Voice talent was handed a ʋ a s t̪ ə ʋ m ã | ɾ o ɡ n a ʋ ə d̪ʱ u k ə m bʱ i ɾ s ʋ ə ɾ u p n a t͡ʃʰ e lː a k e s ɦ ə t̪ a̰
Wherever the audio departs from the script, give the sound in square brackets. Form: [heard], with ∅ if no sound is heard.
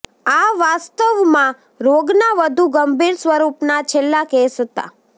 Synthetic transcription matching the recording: a ʋ a s t̪ ə ʋ m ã | ɾ o ɡ n a ʋ ə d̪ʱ u [ɡ] ə m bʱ i ɾ s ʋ ə ɾ u p n a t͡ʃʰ e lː a k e s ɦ ə t̪ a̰

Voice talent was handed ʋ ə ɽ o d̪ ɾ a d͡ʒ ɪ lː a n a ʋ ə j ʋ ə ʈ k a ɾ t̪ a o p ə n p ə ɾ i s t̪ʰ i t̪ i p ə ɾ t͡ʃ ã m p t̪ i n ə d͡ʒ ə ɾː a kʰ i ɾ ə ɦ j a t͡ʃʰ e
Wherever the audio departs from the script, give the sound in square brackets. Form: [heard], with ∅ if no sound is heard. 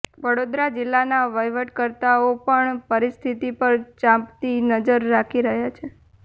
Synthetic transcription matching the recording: ʋ ə ɽ o d̪ ɾ a d͡ʒ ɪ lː a n a ʋ ə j ʋ ə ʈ k [ə] ɾ t̪ a o p ə [ɳ] p ə ɾ i s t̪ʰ i t̪ i p ə ɾ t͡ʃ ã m p t̪ i n ə d͡ʒ ə ɾː a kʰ i ɾ ə ɦ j a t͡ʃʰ e

